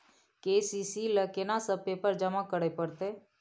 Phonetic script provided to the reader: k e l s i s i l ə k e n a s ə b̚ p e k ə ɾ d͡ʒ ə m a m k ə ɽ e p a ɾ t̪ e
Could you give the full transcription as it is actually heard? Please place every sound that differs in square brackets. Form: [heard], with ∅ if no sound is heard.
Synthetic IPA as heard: k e [∅] s i s i l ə k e n a s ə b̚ p e [p] ə ɾ d͡ʒ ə m a [∅] k ə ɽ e p [ə] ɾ t̪ e